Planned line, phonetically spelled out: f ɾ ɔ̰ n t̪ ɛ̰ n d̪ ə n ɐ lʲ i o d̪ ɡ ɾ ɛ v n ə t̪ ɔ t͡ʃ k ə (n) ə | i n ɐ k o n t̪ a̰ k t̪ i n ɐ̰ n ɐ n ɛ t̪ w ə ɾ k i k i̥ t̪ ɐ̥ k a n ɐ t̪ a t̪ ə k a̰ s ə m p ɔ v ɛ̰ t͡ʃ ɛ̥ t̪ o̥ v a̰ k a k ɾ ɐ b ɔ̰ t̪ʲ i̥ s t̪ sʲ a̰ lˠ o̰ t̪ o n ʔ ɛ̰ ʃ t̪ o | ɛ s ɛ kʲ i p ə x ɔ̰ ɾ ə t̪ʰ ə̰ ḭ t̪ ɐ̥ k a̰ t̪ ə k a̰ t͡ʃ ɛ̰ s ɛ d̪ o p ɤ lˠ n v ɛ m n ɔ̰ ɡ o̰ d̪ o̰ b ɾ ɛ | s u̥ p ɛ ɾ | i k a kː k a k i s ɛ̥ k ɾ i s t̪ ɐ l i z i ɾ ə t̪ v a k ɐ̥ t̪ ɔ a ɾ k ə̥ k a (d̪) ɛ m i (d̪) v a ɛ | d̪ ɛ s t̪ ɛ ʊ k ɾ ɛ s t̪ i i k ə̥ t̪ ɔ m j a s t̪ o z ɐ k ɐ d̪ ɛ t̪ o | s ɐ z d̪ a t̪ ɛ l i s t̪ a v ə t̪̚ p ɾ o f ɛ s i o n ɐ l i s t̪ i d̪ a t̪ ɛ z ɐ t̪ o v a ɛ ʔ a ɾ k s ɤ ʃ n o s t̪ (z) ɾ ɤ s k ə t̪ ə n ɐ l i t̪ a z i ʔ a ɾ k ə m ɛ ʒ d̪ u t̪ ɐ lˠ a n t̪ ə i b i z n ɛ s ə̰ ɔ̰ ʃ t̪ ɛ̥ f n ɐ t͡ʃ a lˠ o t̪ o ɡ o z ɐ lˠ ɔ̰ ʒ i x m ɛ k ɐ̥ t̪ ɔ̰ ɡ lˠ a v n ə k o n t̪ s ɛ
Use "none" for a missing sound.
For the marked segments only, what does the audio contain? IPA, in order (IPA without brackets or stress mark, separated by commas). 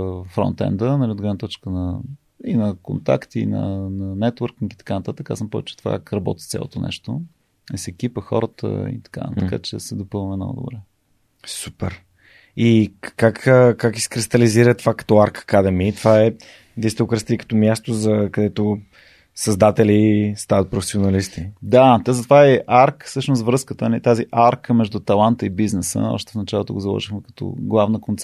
n, d̪, t̪, v